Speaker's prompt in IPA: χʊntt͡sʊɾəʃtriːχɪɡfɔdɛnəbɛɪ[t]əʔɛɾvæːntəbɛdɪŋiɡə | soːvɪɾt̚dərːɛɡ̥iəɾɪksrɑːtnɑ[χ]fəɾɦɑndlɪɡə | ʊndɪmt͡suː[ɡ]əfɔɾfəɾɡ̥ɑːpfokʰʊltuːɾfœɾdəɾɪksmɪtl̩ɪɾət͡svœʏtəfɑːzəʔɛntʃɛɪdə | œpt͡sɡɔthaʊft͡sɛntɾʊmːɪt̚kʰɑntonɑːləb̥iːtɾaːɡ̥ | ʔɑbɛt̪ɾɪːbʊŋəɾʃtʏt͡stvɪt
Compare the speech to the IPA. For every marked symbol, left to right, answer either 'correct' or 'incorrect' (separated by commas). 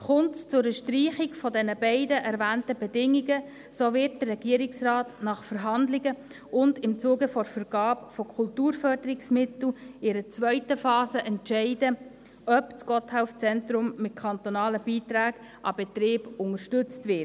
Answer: incorrect, correct, correct